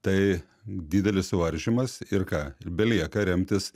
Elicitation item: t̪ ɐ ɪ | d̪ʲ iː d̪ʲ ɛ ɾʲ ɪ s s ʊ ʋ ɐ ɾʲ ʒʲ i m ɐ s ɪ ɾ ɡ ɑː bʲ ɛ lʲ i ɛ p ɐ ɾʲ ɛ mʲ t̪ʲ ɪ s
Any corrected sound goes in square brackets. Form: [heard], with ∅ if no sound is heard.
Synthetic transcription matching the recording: t̪ ɐ ɪ | d̪ʲ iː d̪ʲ ɛ [lʲ] ɪ s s ʊ ʋ ɐ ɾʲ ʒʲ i m ɐ s ɪ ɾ [k] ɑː bʲ ɛ lʲ i ɛ [k] ɐ ɾʲ ɛ mʲ t̪ʲ ɪ s